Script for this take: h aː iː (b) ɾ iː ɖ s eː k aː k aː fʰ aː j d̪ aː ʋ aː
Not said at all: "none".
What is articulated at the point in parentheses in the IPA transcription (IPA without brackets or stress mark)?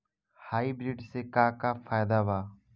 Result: b